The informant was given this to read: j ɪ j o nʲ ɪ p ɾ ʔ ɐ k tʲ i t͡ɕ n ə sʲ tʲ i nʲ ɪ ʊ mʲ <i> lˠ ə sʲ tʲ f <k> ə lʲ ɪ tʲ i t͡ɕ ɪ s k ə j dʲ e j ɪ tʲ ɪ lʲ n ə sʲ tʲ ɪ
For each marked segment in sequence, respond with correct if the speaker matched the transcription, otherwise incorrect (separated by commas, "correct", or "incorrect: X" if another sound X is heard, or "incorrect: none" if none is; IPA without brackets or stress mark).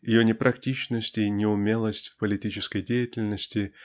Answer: incorrect: e, incorrect: p